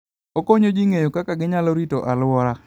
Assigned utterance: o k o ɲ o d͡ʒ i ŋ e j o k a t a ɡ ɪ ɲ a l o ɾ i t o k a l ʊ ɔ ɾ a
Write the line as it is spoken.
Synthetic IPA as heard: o k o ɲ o d͡ʒ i ŋ e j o k a k a ɡ ɪ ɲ a l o ɾ i t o ʔ a l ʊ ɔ ɾ a